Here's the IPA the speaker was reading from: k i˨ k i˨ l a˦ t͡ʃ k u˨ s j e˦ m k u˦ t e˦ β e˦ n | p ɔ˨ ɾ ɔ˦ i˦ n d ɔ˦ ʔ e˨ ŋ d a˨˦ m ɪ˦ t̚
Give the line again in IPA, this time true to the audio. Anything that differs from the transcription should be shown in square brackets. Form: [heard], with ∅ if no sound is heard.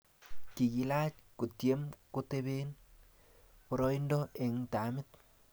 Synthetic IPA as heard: k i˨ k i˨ l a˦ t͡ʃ k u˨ [t] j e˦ m k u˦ t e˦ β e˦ n | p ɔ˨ ɾ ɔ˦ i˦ n d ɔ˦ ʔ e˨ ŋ [t] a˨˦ m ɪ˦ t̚